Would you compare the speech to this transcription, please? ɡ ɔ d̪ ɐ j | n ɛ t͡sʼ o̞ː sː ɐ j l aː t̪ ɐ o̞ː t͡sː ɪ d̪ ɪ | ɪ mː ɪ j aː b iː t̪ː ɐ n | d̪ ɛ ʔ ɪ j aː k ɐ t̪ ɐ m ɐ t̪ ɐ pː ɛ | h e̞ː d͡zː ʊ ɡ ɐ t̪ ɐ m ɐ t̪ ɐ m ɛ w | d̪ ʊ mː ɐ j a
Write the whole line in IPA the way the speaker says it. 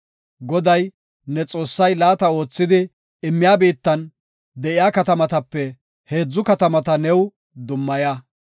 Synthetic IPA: ɡ ɔ d̪ ɐ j | n ɛ t͡sʼ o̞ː sː ɐ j l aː t̪ ɐ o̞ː t͡sː ɪ d̪ ɪ | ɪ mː ɪ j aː b iː t̪ː ɐ n | d̪ ɛ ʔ ɪ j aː k ɐ t̪ ɐ m ɐ t̪ ɐ pː ɛ | h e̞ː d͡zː ʊ k ɐ t̪ ɐ m ɐ t̪ ɐ n ɛ w | d̪ ʊ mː ɐ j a

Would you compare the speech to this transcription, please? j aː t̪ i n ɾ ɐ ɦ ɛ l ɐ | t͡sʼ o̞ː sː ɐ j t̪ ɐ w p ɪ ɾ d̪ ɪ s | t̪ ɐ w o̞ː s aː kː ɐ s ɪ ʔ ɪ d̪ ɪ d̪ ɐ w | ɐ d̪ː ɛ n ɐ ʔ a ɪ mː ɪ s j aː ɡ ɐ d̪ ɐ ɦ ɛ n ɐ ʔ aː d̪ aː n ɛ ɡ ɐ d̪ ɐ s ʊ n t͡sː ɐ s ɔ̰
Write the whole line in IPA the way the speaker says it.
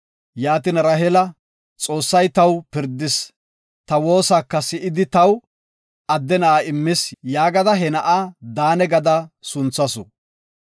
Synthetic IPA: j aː t̪ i n ɾ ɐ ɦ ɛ l ɐ | t͡sʼ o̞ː sː ɐ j t̪ ɐ w p ɪ ɾ d̪ ɪ s | t̪ ɐ w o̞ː s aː kː ɐ s ɪ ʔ ɪ d̪ ɪ t̪ ɐ w | ɐ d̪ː ɛ n ɐ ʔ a ɪ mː ɪ s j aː ɡ ɐ d̪ ɐ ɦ ɛ n ɐ ʔ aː d̪ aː n ɛ ɡ ɐ d̪ ɐ s ʊ n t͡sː ɐ s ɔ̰

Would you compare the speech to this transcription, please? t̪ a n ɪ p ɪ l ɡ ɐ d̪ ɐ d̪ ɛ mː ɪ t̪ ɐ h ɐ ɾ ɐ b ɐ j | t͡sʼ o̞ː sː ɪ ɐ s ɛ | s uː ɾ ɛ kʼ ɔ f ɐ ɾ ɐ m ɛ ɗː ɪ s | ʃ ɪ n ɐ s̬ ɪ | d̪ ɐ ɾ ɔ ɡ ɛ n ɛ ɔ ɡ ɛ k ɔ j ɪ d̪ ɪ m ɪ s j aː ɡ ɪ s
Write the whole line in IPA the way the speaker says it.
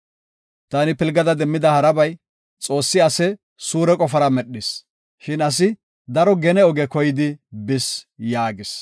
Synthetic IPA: t̪ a n ɪ p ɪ l ɡ ɐ d̪ ɐ d̪ ɛ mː ɪ d̪ ɐ h ɐ ɾ ɐ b ɐ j | t͡sʼ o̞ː sː ɪ ɐ s ɛ | s uː ɾ ɛ kʼ ɔ f ɐ ɾ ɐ m ɛ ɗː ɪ s | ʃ ɪ n ɐ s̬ ɪ | d̪ ɐ ɾ ɔ ɡ ɛ n ɛ ɔ ɡ ɛ k ɔ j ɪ d̪ ɪ b ɪ s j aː ɡ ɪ s

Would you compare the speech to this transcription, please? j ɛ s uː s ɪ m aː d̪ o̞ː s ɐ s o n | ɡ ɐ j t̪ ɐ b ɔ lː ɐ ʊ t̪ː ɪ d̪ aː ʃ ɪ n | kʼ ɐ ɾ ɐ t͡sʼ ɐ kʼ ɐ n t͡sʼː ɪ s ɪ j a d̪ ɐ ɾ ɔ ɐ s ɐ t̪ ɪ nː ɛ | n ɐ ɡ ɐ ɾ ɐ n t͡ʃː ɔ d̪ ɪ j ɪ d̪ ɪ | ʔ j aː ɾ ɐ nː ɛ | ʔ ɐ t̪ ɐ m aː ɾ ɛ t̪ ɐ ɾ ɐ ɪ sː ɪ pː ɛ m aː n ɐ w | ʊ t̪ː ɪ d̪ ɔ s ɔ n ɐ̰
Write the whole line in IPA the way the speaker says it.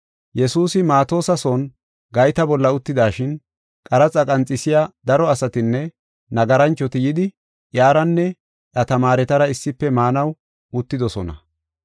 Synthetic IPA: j ɛ s uː s ɪ m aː t̪ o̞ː s ɐ s o n | ɡ ɐ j t̪ ɐ b ɔ lː ɐ ʊ t̪ː ɪ d̪ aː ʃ ɪ n | kʼ ɐ ɾ ɐ t͡sʼ ɐ kʼ ɐ n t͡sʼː ɪ s ɪ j a d̪ ɐ ɾ ɔ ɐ s ɐ t̪ ɪ nː ɛ | n ɐ ɡ ɐ ɾ ɐ n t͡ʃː ɔ t̪ ɪ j ɪ d̪ ɪ | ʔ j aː ɾ ɐ nː ɛ | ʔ ɐ t̪ ɐ m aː ɾ ɛ t̪ ɐ ɾ ɐ ɪ sː ɪ pː ɛ m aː n ɐ w | ʊ t̪ː ɪ d̪ ɔ s ɔ n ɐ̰

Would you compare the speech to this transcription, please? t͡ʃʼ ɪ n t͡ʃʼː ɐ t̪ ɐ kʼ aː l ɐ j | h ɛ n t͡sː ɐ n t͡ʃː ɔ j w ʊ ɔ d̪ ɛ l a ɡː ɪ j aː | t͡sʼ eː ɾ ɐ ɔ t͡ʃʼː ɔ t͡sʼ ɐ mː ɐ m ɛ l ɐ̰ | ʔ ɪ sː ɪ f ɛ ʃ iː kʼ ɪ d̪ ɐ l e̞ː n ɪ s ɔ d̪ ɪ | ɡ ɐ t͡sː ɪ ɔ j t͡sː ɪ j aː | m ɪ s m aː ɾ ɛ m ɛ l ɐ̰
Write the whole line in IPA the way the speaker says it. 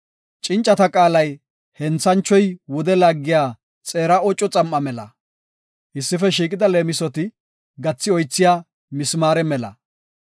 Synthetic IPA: t͡ʃʼ ɪ n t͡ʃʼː ɐ t̪ ɐ kʼ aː l ɐ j | h ɛ n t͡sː ɐ n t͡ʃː ɔ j w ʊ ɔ d̪ ɛ l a ɡː ɪ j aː | t͡sʼ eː ɾ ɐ ɔ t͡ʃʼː ɔ t͡sʼ ɐ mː ɐ m ɛ l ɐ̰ | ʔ ɪ sː ɪ f ɛ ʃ iː kʼ ɪ d̪ ɐ l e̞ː m ɪ s ɔ t̪ ɪ | ɡ ɐ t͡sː ɪ ɔ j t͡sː ɪ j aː | m ɪ s m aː ɾ ɛ m ɛ l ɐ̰

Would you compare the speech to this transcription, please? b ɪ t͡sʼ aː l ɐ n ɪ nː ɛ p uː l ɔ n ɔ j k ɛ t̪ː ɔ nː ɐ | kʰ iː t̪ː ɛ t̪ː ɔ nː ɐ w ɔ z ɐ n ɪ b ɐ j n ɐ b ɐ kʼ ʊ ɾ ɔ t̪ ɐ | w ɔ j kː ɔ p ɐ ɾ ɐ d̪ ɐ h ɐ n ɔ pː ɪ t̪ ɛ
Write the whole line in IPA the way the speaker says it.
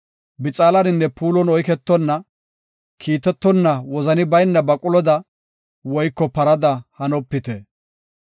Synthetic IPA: b ɪ t͡sʼ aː l ɐ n ɪ nː ɛ p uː l ɔ n ɔ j k ɛ t̪ː ɔ nː ɐ | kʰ iː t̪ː ɛ t̪ː ɔ nː ɐ w ɔ z ɐ n ɪ b ɐ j nː ɐ b ɐ kʼ ʊ l ɔ d̪ ɐ | w ɔ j kː ɔ p ɐ ɾ ɐ d̪ ɐ h ɐ n ɔ pː ɪ t̪ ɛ

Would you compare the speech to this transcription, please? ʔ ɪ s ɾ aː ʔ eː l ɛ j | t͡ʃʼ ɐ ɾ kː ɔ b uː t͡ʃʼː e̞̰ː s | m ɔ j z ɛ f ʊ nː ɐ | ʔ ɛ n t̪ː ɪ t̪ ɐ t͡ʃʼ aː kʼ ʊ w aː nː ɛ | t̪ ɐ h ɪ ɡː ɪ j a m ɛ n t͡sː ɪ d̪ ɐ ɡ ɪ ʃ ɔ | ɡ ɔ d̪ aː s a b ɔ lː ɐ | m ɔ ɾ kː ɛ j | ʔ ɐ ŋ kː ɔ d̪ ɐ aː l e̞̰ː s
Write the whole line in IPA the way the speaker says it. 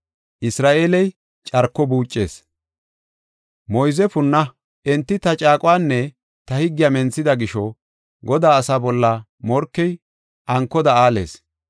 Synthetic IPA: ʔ ɪ s ɾ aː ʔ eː l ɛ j | t͡ʃʼ ɐ ɾ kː ɔ b uː t͡ʃʼː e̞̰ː s | m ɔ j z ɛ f ʊ nː ɐ | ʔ ɛ n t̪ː ɪ t̪ ɐ t͡ʃʼ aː kʼ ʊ w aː nː ɛ | t̪ ɐ h ɪ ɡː ɪ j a m ɛ n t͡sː ɪ d̪ ɐ ɡ ɪ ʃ ɔ | ɡ ɔ d̪ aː s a b ɔ lː ɐ | m ɔ ɾ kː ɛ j | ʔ ɐ ŋ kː ɔ d̪ ɐ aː l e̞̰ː s

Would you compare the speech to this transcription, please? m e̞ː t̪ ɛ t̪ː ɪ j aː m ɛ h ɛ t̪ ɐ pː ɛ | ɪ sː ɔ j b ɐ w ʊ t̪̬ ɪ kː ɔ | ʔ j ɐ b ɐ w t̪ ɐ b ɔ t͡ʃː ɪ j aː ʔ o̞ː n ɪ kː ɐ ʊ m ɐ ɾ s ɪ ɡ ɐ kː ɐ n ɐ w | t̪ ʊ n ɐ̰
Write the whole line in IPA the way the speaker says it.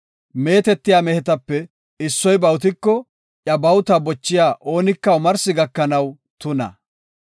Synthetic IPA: m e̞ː t̪ ɛ t̪ː ɪ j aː m ɛ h ɛ t̪ ɐ pː ɛ | ɪ sː ɔ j b ɐ w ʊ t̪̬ ɪ kː ɔ | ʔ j ɐ b ɐ w t̪ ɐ b ɔ t͡ʃː ɪ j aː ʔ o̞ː n ɪ kː ɐ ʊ m ɐ ɾ s ɪ ɡ ɐ kː ɐ n ɐ w | t̪ ʊ n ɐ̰

